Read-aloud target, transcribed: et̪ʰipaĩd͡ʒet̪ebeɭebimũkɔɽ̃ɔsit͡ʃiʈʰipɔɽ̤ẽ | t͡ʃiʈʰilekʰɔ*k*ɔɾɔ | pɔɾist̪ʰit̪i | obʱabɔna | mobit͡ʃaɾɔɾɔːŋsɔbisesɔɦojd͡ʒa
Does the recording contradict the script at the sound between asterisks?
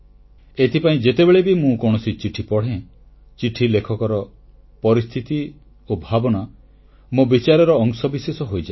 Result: no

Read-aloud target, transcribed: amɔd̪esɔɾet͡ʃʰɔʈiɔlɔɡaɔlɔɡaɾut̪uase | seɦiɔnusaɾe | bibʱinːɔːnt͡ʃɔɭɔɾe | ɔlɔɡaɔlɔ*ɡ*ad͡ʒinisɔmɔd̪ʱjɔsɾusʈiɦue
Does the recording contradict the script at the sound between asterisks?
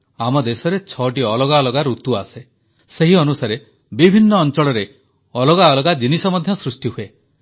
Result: no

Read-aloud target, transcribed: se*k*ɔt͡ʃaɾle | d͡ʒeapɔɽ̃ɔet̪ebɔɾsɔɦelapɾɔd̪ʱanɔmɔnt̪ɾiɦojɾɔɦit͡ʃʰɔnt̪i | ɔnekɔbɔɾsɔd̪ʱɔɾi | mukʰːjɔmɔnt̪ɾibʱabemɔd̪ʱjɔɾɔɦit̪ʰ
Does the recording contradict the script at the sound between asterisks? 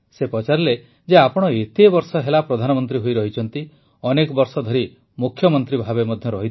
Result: yes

